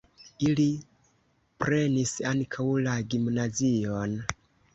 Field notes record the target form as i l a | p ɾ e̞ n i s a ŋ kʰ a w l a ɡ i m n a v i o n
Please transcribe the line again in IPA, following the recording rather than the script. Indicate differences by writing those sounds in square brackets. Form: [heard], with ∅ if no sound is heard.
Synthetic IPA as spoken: i l [i] | p ɾ e̞ n i s a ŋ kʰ a w l a ɡ i m n a [z] i o n